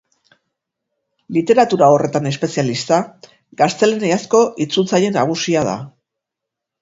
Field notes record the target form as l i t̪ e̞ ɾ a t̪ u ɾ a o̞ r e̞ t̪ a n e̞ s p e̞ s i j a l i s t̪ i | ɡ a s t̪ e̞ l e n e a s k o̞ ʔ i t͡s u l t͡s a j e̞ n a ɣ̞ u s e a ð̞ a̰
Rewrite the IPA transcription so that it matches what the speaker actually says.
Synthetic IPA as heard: l i t̪ e̞ ɾ a t̪ u ɾ a o̞ r e̞ t̪ a n e̞ s p e̞ s i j a l i s t̪ a | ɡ a s t̪ e̞ l e n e a s k o̞ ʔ i t͡s u l t͡s a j e̞ n a ɣ̞ u s i a ð̞ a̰

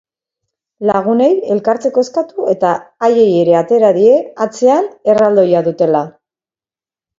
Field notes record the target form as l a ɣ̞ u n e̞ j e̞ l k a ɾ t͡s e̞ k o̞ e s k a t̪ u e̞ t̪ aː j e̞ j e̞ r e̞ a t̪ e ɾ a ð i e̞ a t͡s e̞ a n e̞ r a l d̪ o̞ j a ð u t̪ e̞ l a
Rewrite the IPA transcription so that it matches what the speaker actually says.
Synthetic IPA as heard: l a ɣ̞ u n e̞ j e̞ l k a ɾ t͡s e̞ k o̞ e s k a t̪ u e̞ t̪ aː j e̞ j e̞ ɾ e̞ a t̪ e ɾ a ð i e̞ a t͡s e̞ a n e̞ r a l d̪ o̞ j a ð u t̪ e̞ l a

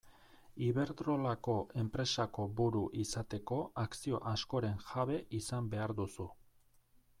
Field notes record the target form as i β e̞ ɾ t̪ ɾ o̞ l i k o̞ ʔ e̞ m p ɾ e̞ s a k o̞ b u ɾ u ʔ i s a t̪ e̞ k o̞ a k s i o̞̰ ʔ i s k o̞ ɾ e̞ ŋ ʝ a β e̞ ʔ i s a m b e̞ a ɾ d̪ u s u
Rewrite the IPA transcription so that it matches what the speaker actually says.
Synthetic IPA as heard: i β e̞ ɾ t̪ ɾ o̞ l a k o̞ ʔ e̞ m p ɾ e̞ s a k o̞ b u ɾ u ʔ i s a t̪ e̞ k o̞ a k s i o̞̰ ʔ a s k o̞ ɾ e̞ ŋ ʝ a β e̞ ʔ i s a m b e̞ a ɾ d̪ u s u

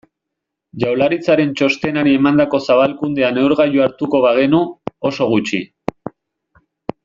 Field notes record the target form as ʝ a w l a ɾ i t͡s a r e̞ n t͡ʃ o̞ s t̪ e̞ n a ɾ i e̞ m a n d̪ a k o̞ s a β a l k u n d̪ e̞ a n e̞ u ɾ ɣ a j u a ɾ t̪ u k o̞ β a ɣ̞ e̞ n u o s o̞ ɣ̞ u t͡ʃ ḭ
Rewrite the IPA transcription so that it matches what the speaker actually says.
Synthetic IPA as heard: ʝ a w l a ɾ i t͡s a ɾ e̞ n t͡ʃ o̞ s t̪ e̞ n a ɾ i e̞ m a n d̪ a k o̞ s a β a l k u n d̪ e̞ a n e̞ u ɾ ɣ a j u a ɾ t̪ u k o̞ β a ɣ̞ e̞ n u o s o̞ ɣ̞ u t͡ʃ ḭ

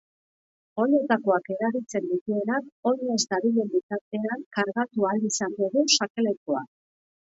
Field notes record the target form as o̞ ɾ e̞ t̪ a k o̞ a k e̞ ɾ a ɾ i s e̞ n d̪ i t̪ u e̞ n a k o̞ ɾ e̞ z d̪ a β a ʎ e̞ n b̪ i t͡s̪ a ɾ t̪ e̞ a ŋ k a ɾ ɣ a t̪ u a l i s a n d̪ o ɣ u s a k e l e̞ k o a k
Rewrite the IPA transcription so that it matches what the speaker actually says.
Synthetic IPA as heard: o̞ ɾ e̞ t̪ a k o̞ a k e̞ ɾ a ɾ i t͡s e̞ n d̪ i t̪ u e̞ n a k o̞ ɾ e̞ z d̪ a β i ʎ e̞ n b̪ i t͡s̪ a ɾ t̪ e̞ a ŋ k a ɾ ɣ a t̪ u a l i s a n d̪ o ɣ u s a k e l e̞ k o a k

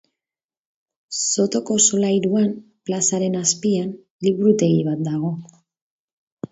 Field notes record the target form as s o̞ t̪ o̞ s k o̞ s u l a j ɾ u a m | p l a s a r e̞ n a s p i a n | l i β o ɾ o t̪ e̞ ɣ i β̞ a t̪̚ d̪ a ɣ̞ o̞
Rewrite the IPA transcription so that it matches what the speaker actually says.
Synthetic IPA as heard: s o̞ t̪ o̞ k o̞ s o l a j ɾ u a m | p l a s a ɾ e̞ n a s p i a n | l i β u ɾ u t̪ e̞ ɣ i β̞ a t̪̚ d̪ a ɣ̞ o̞

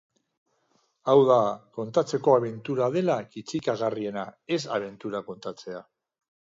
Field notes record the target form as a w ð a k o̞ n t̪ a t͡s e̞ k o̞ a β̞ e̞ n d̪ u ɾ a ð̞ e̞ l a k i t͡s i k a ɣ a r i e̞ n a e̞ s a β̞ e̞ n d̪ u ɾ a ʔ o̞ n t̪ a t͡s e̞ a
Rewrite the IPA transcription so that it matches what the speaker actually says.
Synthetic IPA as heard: a w ð a k o̞ n t̪ a t͡s e̞ k o̞ a β̞ e̞ n t̪ u ɾ a ð̞ e̞ l a k i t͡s i k a ɣ a r i e̞ n a e̞ s a β̞ e̞ n t̪ u ɾ a k o̞ n t̪ a t͡s e̞ a

